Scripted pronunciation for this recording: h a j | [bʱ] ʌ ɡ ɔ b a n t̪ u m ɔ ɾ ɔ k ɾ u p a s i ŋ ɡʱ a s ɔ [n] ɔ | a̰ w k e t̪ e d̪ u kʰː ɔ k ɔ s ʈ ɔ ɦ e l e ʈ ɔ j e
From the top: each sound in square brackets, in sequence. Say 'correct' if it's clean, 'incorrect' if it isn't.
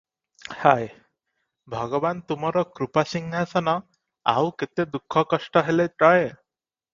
correct, correct

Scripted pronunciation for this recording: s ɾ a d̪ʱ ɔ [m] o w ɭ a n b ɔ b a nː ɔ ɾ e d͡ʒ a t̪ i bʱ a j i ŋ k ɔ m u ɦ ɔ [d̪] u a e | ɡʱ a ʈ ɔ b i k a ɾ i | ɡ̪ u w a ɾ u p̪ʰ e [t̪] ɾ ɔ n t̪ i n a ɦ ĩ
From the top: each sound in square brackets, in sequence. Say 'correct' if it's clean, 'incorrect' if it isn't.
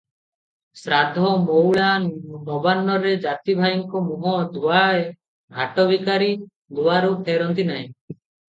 correct, correct, incorrect: none

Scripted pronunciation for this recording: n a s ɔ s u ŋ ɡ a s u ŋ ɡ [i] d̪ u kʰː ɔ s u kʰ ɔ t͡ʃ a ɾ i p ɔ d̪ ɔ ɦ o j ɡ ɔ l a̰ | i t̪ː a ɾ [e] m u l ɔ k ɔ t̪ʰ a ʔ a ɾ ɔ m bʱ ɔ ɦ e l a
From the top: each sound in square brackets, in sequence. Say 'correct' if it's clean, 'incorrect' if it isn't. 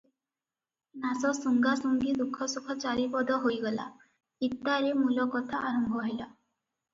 correct, correct

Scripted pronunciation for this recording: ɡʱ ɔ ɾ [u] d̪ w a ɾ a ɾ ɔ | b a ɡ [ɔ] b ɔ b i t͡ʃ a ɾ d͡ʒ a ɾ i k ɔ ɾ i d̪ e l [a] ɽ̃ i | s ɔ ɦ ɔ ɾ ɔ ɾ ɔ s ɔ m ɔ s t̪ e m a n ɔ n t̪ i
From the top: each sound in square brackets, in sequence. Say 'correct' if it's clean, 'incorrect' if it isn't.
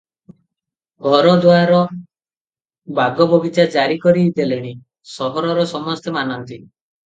incorrect: ɔ, correct, incorrect: e

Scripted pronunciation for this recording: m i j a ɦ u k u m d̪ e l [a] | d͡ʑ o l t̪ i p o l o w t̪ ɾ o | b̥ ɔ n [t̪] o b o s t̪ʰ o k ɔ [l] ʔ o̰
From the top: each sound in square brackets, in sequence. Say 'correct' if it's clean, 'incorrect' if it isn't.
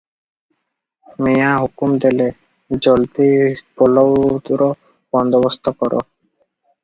incorrect: e, incorrect: d̪, incorrect: ɾ

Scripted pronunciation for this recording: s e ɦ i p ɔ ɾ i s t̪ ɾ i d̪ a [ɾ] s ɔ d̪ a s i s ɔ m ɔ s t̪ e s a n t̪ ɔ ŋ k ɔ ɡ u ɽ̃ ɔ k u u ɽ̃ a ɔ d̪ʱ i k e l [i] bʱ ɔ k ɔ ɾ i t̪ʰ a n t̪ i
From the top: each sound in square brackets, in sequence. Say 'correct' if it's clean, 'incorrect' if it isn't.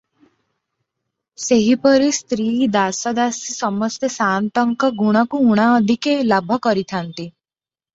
incorrect: none, incorrect: a

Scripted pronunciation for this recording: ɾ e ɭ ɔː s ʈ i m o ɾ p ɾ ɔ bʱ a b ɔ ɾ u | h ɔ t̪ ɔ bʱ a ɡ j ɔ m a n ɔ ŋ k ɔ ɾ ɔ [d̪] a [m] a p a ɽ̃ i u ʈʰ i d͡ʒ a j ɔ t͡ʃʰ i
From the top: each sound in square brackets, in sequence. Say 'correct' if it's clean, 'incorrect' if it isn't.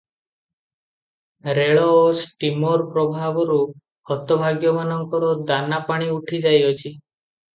correct, incorrect: n

